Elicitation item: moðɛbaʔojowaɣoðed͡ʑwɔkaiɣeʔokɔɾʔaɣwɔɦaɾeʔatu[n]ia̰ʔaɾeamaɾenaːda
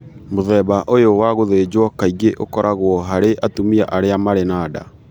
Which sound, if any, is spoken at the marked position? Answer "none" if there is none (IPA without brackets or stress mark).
m